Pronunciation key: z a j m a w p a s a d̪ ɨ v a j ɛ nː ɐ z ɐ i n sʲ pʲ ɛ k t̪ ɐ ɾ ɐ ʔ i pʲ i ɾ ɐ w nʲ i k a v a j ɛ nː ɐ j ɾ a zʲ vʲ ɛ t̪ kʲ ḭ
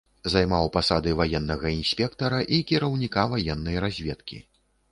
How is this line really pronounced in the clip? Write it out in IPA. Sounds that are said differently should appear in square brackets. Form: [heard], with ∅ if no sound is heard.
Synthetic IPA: z a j m a w p a s a d̪ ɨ v a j ɛ nː ɐ [ɣ] ɐ i n sʲ pʲ ɛ k t̪ ɐ ɾ ɐ ʔ i [kʲ] i ɾ ɐ w nʲ i k a v a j ɛ nː ɐ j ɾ a zʲ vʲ ɛ t̪ kʲ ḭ